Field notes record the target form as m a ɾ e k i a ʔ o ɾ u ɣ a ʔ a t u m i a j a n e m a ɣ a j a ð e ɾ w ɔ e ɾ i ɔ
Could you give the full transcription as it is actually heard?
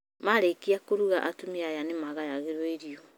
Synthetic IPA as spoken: m a ɾ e k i a k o ɾ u ɣ a ʔ a t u m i a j a n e m a ɣ a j a ɣ e ɾ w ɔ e ɾ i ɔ